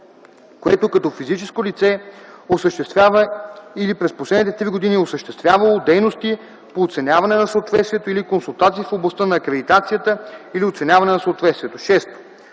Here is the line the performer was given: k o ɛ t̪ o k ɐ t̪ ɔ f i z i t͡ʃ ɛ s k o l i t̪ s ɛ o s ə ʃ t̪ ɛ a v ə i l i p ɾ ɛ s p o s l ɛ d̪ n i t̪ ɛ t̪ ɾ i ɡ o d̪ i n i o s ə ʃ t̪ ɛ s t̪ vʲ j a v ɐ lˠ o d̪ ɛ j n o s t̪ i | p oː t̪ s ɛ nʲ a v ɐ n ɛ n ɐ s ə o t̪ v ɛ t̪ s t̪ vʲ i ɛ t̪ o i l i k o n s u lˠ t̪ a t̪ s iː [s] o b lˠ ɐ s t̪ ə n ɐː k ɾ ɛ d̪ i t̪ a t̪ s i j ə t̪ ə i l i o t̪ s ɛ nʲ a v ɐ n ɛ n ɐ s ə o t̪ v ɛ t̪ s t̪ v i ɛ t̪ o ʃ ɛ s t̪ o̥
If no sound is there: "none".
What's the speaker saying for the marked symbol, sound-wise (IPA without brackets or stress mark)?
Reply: f